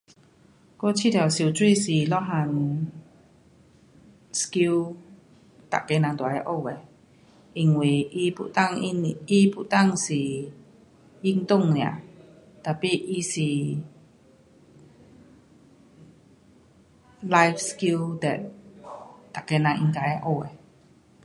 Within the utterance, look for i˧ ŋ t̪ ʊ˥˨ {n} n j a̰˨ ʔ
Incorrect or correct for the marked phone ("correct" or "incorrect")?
incorrect